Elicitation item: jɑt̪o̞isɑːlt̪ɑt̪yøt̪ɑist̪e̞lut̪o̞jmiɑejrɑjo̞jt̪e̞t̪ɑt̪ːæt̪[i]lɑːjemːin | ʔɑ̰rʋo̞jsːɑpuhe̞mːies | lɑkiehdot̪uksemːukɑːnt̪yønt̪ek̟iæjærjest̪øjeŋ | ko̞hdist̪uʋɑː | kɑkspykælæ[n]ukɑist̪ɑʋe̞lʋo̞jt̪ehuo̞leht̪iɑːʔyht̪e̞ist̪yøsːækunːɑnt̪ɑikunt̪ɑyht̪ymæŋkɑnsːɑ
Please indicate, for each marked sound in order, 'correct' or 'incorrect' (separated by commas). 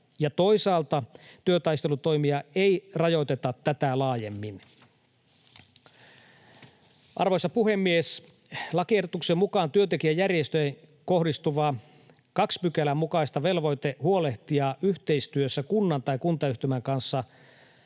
incorrect, incorrect